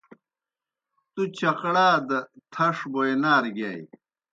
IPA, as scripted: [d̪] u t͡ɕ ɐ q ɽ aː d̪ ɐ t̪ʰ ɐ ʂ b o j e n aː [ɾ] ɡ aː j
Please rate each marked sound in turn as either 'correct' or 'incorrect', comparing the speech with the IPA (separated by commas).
incorrect, correct